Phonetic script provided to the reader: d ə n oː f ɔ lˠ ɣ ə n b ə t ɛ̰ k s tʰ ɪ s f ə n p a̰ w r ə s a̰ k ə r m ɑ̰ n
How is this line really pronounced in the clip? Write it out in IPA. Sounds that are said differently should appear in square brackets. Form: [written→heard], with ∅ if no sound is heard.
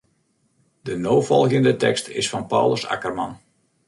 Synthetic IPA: d ə n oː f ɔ lˠ ɣ ə n [b→d] ə t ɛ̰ k s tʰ ɪ s f [ə→ɑ] n p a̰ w [r→l] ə s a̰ k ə r m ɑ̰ n